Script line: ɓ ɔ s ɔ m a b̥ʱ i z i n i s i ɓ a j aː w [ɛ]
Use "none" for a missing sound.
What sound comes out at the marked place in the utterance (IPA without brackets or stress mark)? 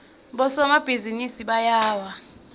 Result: a